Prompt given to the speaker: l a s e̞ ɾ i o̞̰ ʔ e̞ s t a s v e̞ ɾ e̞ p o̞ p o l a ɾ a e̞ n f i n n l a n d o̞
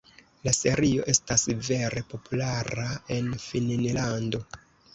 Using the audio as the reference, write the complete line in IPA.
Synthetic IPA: l a s e̞ ɾ i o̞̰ ʔ e̞ s t a s v e̞ ɾ e̞ p o̞ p u l a ɾ a e̞ n f i n n l a n d o̞